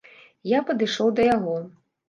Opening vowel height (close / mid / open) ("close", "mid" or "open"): open